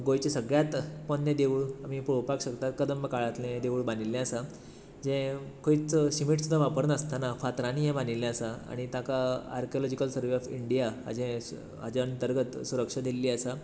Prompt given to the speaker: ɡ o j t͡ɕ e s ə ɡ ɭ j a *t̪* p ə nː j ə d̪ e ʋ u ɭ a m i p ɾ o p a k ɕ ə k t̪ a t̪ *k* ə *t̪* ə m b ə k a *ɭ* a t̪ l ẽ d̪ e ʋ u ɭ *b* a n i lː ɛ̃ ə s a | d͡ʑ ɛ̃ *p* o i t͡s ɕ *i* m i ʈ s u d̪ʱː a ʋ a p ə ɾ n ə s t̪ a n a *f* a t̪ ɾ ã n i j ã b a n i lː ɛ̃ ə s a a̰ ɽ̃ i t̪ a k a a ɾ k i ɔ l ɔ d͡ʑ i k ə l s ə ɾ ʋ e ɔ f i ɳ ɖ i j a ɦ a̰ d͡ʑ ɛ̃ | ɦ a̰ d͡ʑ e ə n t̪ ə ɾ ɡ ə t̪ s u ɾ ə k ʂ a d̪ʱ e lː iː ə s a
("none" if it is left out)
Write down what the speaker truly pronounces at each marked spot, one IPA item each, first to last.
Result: t̪, k, d̪, ɭ, b, k, i, f

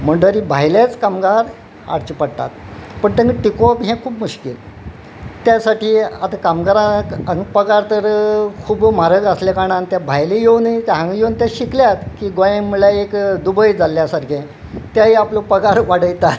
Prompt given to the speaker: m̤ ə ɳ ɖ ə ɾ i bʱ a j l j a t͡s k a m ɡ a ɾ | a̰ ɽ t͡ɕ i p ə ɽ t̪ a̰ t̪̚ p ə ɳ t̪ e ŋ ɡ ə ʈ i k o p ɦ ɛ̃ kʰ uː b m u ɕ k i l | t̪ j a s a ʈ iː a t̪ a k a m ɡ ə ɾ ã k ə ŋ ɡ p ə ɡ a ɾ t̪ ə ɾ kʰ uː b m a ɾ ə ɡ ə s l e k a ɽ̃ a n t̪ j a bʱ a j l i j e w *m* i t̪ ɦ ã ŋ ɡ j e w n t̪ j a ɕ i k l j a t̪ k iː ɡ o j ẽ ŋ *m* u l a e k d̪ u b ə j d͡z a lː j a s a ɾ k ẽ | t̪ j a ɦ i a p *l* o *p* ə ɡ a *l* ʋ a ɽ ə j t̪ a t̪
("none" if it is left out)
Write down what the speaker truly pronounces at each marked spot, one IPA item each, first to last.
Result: n, m, l, p, ɾ

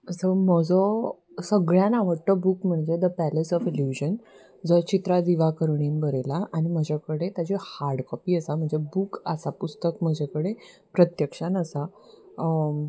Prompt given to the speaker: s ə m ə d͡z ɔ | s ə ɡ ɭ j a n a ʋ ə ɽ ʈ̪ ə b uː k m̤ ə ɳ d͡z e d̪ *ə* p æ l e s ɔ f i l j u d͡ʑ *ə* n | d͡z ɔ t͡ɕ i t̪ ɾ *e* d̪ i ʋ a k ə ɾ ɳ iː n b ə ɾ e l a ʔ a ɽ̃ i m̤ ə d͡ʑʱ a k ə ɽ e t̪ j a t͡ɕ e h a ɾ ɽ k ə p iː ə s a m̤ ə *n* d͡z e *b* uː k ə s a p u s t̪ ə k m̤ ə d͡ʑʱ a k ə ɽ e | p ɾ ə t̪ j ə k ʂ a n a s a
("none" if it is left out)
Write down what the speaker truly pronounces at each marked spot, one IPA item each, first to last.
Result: ə, ə, a, ɳ, b

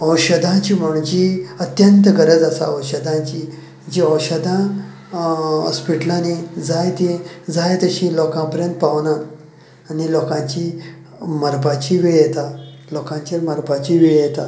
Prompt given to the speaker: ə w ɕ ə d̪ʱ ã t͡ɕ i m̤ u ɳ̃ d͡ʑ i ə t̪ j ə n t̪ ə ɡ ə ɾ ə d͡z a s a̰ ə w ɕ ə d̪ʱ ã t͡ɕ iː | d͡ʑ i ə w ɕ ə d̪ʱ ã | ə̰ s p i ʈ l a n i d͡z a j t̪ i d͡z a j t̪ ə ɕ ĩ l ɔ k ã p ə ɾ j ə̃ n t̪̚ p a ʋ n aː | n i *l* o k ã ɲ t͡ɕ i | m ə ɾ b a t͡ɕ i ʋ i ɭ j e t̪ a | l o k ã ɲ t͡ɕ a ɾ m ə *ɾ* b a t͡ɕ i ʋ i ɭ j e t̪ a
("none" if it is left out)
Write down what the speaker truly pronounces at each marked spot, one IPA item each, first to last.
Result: l, ɾ

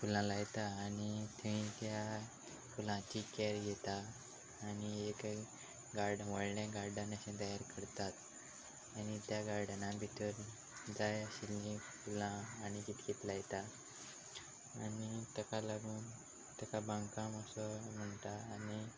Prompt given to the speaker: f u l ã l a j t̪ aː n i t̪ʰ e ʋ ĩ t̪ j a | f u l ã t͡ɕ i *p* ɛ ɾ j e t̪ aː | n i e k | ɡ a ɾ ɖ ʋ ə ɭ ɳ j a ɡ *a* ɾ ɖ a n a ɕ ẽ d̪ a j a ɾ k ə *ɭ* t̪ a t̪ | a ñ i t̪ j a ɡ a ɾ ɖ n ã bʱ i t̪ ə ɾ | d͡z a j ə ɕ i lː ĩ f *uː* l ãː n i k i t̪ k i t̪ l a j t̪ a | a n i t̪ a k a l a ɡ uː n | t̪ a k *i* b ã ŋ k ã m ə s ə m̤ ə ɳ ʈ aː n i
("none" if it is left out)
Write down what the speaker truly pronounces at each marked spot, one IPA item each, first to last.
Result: k, a, ɾ, u, a

